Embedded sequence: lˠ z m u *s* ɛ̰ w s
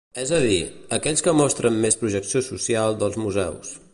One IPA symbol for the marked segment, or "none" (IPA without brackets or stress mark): z